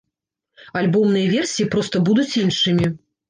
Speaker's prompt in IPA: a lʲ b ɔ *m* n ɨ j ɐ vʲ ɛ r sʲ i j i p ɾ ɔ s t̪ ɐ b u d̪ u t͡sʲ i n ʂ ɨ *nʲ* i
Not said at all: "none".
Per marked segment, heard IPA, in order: m, mʲ

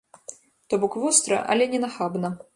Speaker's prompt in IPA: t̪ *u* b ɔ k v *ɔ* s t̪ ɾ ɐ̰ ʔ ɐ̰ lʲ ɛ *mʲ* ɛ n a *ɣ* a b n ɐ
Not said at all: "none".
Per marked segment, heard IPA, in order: ɔ, ɔ, nʲ, x

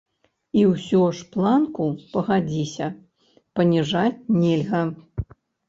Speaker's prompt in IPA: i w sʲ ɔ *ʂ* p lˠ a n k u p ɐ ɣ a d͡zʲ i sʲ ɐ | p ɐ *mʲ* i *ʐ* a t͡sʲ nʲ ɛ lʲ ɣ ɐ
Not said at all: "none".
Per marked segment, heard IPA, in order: ʂ, nʲ, ʐ

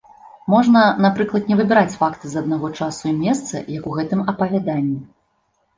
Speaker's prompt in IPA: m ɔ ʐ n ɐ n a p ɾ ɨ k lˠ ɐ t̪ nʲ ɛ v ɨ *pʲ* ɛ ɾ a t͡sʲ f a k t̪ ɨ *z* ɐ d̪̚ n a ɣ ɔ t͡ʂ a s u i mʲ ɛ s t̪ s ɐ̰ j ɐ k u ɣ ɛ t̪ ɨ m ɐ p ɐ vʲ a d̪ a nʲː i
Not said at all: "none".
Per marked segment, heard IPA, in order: bʲ, z

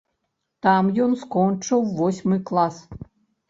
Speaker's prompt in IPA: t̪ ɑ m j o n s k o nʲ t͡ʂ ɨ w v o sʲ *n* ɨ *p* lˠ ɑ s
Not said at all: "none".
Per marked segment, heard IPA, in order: m, k

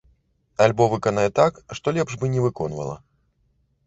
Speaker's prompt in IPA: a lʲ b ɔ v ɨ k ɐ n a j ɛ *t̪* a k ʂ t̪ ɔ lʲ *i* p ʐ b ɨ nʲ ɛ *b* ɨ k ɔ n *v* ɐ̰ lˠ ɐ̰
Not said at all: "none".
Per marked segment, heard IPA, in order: t̪, ɛ, v, v

